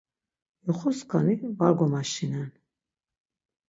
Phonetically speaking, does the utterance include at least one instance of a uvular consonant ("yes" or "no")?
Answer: yes